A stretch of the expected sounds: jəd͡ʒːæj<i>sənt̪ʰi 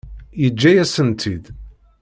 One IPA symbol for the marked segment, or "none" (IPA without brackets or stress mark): æ